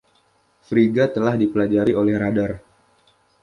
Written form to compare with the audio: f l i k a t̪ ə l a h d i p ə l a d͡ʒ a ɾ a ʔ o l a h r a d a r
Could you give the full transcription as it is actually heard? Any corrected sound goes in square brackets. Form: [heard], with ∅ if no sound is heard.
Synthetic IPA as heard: f [ɾ] i [ɡ] a t̪ ə l a h d i p ə l a d͡ʒ a ɾ [i] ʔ o l [ɛ] h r a d a r